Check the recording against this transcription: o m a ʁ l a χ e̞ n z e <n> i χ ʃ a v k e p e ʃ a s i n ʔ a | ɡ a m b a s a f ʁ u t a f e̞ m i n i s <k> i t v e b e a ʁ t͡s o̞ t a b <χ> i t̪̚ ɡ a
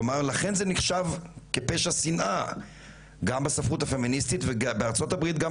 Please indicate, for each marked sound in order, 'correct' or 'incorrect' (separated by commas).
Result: correct, incorrect, incorrect